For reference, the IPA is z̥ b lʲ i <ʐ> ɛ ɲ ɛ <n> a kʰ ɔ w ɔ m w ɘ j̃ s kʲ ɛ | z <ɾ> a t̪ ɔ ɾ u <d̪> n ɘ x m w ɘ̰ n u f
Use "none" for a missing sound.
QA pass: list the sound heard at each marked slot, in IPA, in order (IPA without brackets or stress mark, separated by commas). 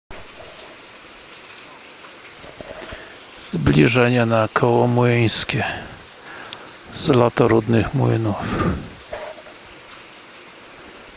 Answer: ʐ, n, l, d̪